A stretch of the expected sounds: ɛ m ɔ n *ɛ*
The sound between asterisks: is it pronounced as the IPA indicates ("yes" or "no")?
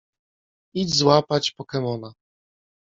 no